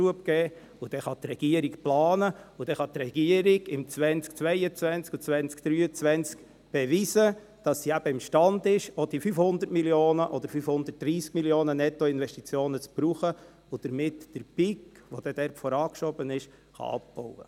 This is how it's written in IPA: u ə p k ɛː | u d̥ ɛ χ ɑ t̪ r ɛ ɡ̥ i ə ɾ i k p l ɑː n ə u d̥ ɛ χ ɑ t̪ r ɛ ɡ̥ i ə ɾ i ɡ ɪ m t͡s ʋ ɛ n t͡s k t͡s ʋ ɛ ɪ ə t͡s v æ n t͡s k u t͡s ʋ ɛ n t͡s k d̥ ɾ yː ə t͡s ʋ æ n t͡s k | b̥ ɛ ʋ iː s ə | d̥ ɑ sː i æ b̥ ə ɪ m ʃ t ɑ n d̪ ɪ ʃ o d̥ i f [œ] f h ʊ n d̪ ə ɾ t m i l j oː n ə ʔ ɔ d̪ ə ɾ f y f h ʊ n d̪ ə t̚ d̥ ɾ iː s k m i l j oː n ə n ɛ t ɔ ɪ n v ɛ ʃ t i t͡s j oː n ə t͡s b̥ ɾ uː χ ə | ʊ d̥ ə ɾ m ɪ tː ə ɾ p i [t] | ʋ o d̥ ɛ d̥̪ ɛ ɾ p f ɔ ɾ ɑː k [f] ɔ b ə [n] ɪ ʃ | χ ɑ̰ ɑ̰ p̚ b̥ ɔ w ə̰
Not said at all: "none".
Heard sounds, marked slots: y, k, ʃ, n

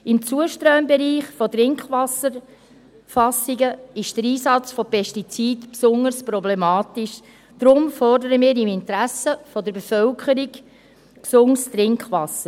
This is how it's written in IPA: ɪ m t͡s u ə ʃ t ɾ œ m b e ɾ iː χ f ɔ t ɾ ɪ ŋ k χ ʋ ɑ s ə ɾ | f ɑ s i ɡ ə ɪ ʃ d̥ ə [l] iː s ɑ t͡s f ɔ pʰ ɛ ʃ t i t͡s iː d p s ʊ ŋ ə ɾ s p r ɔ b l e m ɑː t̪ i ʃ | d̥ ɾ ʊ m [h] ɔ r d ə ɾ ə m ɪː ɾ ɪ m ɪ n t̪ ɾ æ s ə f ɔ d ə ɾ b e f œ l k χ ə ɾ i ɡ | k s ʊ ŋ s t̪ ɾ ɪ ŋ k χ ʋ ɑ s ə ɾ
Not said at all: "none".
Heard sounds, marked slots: ɾ, f

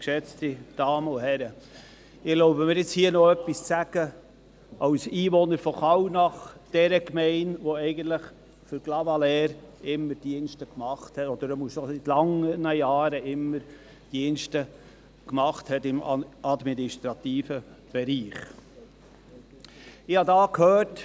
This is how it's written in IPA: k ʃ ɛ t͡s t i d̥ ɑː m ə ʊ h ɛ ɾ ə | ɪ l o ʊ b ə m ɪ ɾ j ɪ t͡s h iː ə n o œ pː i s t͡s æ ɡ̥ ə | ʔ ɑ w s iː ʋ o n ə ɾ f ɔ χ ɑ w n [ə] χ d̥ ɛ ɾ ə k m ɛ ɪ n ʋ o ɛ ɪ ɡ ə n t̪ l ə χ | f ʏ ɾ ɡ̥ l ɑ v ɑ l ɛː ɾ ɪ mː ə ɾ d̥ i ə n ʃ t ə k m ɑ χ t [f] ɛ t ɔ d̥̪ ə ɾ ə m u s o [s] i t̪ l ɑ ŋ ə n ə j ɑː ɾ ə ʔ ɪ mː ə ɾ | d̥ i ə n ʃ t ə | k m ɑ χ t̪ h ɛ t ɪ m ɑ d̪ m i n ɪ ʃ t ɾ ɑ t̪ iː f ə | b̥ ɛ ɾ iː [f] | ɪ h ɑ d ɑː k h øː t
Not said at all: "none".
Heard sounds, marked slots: ɑ, h, s, χ

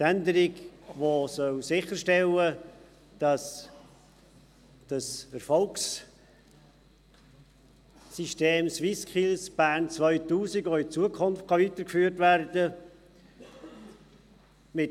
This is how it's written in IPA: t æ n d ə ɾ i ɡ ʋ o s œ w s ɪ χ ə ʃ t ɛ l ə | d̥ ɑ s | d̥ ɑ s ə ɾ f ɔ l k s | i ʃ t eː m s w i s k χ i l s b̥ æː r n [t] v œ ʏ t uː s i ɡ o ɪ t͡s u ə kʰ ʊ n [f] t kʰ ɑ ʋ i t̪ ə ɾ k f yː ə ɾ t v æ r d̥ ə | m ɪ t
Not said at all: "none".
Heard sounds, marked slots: t͡s, f

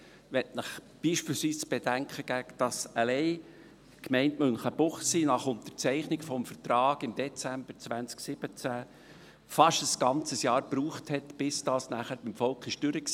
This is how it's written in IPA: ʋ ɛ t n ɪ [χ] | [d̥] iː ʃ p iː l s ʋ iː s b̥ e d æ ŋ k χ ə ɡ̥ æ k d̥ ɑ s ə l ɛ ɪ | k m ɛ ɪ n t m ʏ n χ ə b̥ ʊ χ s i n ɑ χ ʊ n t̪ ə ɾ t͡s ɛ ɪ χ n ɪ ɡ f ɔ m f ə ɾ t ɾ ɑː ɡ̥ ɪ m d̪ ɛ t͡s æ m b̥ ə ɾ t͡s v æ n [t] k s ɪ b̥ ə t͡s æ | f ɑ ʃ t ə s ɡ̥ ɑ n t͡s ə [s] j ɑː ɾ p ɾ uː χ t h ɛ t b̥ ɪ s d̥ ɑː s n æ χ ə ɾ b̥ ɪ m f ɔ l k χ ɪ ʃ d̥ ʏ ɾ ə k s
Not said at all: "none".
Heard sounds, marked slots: χ, b̥, t͡s, s

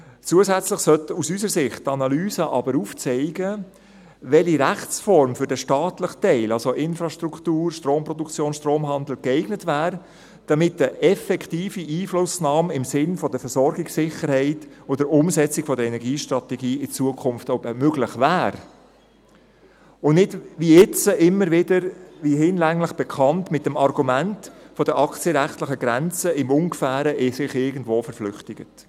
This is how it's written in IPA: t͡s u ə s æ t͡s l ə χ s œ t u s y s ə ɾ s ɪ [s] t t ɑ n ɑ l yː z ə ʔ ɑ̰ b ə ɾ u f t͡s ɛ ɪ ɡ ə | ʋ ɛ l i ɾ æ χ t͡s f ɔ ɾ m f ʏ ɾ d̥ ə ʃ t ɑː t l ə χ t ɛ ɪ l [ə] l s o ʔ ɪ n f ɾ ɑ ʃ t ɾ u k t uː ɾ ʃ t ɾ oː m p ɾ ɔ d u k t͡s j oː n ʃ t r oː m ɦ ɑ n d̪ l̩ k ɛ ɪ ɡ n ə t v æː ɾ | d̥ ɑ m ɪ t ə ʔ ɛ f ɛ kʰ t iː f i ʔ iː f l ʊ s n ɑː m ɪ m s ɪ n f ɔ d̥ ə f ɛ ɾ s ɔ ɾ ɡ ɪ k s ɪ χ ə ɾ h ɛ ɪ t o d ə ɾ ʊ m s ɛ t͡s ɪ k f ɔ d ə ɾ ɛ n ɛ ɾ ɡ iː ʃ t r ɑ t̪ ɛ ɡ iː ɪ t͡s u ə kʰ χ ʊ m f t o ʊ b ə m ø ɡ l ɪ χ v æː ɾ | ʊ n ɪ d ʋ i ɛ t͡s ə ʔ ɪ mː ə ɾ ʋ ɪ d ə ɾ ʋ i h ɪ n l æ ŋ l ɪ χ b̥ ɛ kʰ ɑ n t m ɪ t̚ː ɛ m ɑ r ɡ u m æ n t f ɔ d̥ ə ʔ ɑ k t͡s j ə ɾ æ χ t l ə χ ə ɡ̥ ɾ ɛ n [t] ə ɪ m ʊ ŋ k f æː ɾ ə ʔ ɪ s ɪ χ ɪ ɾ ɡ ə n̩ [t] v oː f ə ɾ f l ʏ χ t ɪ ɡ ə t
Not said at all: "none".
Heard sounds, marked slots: χ, ɑ, t͡s, d

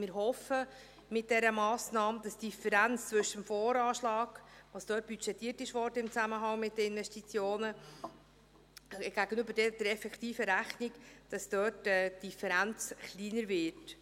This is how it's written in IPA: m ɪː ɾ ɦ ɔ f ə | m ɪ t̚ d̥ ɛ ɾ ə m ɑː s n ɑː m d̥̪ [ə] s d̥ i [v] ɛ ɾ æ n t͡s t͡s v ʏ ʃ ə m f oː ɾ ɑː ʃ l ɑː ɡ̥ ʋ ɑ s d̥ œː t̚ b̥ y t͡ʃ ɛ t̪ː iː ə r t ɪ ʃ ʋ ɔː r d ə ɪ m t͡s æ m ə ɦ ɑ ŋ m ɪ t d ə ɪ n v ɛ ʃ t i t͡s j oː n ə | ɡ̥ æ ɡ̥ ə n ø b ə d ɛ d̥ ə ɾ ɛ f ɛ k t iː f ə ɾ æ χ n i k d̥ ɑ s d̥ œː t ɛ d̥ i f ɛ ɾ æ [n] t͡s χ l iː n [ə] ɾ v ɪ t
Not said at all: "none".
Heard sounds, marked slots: ɑ, f, n, ə

